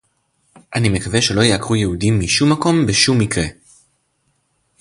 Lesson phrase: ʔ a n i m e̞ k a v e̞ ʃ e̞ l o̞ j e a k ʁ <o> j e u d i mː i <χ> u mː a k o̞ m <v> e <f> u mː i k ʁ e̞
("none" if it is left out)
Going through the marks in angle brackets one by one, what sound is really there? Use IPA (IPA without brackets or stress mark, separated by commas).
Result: u, ʃ, b, ʃ